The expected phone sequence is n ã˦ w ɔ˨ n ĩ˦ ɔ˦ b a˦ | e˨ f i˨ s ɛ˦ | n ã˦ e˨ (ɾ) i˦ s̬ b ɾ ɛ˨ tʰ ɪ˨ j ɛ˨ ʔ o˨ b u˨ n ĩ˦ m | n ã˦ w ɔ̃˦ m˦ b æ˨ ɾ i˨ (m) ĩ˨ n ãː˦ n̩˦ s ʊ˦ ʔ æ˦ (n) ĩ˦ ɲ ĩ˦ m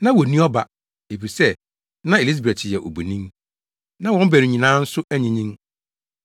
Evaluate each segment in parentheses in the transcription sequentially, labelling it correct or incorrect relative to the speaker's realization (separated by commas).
incorrect, incorrect, incorrect